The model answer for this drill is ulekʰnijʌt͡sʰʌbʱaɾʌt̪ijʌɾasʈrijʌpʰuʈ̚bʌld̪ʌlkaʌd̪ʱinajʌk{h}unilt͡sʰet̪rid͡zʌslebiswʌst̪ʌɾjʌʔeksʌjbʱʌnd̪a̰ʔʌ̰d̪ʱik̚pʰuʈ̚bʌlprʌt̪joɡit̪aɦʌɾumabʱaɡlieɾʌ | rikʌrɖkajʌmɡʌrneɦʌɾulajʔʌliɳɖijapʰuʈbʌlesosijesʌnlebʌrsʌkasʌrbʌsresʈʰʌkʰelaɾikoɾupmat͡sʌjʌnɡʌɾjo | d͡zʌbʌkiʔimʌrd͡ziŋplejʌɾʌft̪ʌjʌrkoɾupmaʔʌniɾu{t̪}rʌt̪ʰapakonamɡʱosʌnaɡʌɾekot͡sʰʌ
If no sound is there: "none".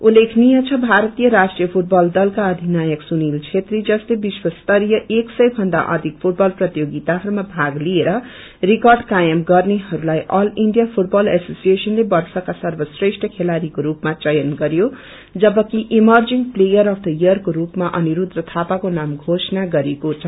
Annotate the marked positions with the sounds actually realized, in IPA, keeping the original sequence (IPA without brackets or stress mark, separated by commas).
s, d̪